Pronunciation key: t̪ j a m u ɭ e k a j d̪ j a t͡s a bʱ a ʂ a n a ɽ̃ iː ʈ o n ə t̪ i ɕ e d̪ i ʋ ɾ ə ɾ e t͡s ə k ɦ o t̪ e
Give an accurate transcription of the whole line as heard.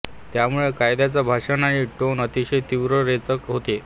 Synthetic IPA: t̪ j a m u ɭ e k a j d̪ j a t͡s a bʱ a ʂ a n a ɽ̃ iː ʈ o n ə t̪ i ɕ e t̪ i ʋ ɾ ə ɾ e t͡s ə k ɦ o t̪ e